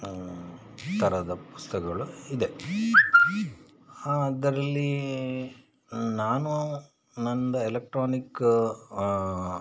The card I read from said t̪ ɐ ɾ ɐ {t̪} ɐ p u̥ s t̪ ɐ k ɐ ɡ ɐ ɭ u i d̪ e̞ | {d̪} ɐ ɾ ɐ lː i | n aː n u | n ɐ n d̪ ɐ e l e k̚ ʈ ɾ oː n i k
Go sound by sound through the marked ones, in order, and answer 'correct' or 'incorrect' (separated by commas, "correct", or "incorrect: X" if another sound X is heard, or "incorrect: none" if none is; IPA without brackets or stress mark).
incorrect: d̪, correct